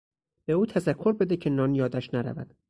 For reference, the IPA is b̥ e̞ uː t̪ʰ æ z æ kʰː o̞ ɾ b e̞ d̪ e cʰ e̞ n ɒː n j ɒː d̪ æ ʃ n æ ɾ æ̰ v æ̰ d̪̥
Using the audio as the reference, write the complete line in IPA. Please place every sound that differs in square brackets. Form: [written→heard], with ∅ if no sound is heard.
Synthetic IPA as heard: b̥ e̞ uː t̪ʰ æ z æ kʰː o̞ ɾ b e̞ d̪ e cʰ e̞ n ɒː n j ɒː d̪ æ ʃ n æ ɾ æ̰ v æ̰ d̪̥